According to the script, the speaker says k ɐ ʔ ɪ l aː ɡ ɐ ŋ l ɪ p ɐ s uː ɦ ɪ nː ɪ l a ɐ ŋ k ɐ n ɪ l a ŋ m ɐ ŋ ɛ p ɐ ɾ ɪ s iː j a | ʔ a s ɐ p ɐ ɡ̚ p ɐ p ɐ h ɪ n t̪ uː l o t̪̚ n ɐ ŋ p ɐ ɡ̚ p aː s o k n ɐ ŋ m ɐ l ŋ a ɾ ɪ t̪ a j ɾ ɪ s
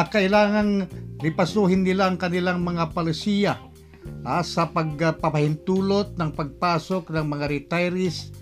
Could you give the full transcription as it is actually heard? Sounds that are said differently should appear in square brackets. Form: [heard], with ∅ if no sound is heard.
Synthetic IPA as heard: k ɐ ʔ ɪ l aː [ŋ] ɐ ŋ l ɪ p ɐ s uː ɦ ɪ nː ɪ l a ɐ ŋ k ɐ n ɪ l a ŋ m ɐ ŋ [a] p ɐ [l] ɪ s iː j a | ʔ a s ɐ p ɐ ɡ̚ p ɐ p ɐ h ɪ n t̪ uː l o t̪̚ n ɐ ŋ p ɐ ɡ̚ p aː s o k n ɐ ŋ m ɐ [∅] ŋ a ɾ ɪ t̪ a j ɾ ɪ s